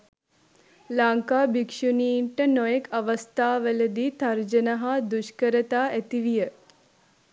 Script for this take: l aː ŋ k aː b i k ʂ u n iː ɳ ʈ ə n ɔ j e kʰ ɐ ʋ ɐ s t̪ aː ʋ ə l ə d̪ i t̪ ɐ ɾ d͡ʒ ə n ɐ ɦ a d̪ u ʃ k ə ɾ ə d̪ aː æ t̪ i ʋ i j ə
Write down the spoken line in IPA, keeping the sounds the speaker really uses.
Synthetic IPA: l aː ŋ k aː b i k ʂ u n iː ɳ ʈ ə n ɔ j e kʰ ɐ ʋ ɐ s t̪ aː ʋ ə l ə d̪ i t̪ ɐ ɾ d͡ʒ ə n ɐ ɦ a d̪ u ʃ k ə ɾ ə t̪ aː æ t̪ i ʋ i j ə